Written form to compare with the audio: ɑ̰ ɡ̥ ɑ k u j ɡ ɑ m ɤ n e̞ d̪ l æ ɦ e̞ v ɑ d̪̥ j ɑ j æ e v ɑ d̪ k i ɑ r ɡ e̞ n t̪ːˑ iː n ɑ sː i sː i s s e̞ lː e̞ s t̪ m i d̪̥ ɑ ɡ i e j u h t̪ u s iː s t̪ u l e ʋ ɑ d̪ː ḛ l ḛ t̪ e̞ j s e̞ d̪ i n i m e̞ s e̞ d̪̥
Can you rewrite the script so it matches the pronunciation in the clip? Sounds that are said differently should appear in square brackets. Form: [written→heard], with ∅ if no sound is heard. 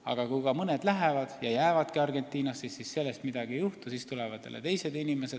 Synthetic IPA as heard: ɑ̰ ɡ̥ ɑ k u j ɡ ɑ m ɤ n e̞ d̪ l æ ɦ e̞ v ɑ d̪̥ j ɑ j æ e v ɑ d̪ k i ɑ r ɡ e̞ n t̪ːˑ iː n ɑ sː i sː i s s e̞ lː e̞ s t̪ m i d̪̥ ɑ ɡ i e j u h t̪ u s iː s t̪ u l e [ʋ→v] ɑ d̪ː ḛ l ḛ t̪ e̞ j s e̞ d̪ i n i m e̞ s e̞ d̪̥